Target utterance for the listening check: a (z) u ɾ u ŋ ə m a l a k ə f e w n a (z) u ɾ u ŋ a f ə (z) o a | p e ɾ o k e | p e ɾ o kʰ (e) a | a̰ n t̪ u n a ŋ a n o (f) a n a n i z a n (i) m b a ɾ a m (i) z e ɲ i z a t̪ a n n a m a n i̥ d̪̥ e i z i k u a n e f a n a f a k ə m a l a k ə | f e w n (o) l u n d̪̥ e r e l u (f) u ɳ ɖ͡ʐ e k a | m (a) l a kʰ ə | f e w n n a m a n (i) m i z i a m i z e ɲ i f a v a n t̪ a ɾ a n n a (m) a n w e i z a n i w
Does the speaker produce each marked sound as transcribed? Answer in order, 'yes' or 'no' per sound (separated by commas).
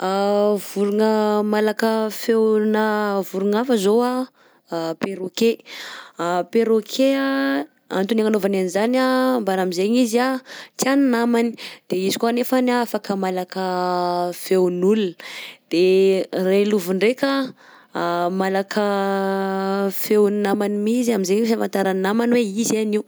no, no, yes, yes, no, no, yes, no, no, yes, yes, yes